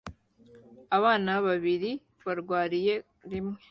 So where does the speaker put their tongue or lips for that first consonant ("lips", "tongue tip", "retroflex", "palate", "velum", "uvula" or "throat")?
lips